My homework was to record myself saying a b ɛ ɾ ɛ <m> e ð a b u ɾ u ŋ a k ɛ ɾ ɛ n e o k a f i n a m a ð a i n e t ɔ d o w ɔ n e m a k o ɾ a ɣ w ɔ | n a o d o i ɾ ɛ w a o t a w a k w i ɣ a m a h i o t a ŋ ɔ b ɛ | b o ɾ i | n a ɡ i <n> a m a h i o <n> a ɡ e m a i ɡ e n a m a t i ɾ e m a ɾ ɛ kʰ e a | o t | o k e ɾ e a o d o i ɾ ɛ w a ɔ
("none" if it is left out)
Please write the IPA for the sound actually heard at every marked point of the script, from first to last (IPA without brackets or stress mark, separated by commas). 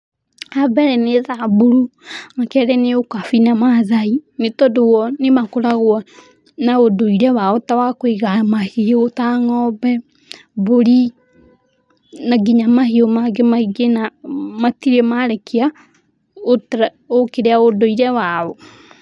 n, ɲ, m